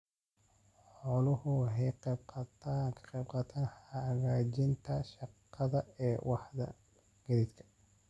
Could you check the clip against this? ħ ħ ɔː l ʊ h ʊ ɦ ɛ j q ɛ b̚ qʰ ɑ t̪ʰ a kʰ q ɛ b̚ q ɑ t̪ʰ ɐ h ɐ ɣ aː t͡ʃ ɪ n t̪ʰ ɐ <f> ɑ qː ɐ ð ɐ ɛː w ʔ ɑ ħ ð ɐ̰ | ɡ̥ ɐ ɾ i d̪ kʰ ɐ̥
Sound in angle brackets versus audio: incorrect: ʃ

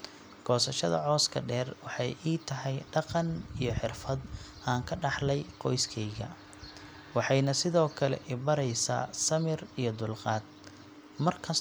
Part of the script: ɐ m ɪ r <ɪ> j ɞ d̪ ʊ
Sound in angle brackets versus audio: incorrect: i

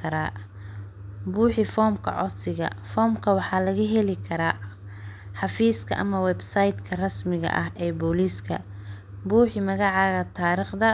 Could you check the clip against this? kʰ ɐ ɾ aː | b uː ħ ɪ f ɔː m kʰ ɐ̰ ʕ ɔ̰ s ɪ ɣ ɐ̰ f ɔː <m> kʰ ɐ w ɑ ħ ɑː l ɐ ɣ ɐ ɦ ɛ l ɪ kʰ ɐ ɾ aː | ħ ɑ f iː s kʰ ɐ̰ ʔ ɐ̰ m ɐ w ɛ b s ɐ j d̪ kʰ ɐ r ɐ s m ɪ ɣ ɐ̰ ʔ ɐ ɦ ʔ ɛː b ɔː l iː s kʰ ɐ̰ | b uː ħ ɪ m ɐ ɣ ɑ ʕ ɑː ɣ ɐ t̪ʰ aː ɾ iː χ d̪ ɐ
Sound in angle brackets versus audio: correct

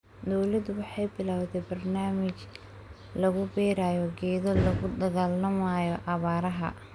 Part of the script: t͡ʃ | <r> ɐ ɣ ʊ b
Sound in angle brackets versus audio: incorrect: l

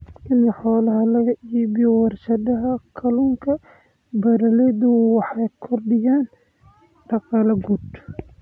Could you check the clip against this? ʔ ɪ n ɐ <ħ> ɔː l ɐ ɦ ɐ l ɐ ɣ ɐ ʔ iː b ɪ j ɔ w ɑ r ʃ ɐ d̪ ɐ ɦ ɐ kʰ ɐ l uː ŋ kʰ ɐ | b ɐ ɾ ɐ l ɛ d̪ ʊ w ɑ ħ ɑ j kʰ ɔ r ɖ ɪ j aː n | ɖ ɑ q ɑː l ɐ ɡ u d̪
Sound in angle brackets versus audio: correct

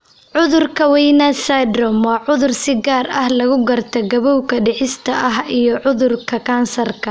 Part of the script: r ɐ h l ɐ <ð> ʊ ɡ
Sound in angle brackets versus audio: incorrect: ɣ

